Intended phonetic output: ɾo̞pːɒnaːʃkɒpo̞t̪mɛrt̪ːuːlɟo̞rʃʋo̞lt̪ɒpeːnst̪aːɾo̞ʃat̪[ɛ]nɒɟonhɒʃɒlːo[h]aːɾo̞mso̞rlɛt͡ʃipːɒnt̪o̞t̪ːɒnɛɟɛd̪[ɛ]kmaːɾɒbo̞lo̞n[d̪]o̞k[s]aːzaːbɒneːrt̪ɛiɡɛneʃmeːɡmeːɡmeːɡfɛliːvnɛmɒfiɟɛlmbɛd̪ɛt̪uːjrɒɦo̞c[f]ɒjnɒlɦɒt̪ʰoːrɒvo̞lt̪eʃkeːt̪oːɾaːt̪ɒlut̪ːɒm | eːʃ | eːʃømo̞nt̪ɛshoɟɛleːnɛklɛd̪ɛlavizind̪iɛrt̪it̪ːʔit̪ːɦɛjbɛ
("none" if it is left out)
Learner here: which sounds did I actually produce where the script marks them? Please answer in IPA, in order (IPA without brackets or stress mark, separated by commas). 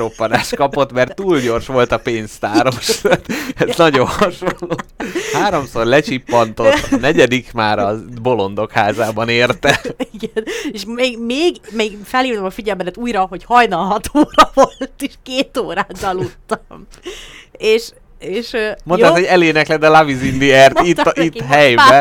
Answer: ɛ, h, i, d̪, h, h